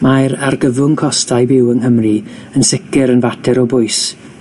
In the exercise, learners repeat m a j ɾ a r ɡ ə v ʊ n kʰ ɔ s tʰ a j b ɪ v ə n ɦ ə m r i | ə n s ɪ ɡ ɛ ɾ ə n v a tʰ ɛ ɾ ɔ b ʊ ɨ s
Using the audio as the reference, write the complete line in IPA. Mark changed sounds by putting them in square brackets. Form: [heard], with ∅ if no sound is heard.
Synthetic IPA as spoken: m a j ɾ a r ɡ ə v ʊ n kʰ ɔ s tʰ a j b ɪ [w] ə n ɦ ə m r i | ə n s ɪ [k] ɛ ɾ ə n v a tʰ ɛ ɾ ɔ b ʊ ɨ s